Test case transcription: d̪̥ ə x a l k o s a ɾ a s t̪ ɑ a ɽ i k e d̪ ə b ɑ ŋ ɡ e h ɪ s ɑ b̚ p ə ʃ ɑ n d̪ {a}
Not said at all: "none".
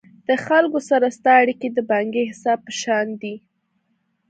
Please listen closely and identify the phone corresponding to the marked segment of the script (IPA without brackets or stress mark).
i